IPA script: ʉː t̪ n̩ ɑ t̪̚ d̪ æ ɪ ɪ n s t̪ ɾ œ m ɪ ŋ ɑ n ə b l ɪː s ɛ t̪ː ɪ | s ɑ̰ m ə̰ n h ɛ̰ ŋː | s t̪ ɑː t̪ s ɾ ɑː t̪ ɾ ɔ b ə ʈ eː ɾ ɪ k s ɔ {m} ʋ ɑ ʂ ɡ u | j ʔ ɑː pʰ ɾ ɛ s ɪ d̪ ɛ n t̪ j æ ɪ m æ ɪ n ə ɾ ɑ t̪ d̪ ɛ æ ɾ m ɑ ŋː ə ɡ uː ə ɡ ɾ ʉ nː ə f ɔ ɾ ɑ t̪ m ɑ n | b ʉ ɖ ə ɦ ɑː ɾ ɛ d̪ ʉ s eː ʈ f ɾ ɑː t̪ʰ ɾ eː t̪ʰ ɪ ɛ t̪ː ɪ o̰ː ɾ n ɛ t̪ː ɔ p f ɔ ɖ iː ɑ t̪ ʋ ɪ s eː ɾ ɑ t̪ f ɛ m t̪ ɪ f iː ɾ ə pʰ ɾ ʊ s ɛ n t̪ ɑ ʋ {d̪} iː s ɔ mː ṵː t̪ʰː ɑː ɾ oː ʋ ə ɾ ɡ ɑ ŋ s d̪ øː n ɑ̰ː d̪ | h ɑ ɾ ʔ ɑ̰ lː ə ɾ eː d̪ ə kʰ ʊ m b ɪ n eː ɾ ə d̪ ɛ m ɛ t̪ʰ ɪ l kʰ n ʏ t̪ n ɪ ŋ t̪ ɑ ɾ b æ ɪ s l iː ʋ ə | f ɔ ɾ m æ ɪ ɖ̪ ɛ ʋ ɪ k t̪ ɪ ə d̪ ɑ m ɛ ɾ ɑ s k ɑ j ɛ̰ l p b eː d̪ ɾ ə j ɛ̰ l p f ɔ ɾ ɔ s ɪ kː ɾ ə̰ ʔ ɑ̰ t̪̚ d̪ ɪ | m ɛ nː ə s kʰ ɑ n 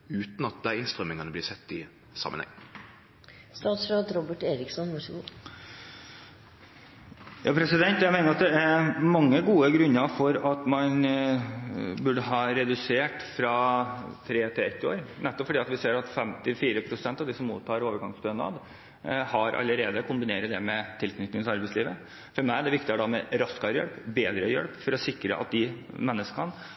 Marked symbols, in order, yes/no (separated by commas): no, yes